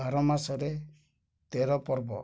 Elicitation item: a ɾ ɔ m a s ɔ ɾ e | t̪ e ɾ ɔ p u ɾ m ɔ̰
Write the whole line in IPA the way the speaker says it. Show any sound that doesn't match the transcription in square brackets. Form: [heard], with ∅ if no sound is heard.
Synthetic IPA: a ɾ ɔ m a s ɔ ɾ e | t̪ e ɾ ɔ p [ɔ] ɾ [b] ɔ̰